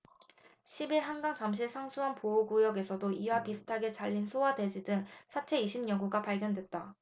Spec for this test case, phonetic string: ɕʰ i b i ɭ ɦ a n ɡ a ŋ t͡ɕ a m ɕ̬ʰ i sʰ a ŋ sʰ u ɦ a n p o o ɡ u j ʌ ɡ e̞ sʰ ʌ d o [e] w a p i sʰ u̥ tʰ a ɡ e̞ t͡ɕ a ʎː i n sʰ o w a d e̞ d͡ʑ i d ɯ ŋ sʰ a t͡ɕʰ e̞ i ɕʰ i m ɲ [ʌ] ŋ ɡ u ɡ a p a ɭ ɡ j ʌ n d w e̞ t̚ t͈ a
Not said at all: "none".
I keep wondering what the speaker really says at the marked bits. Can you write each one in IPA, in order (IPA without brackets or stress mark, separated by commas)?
i, ʌ